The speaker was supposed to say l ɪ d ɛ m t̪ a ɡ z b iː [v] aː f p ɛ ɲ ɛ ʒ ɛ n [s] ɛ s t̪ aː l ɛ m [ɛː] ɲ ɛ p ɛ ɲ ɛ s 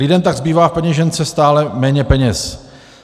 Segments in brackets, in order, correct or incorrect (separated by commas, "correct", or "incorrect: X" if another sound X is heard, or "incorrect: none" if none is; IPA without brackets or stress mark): correct, incorrect: t͡s, correct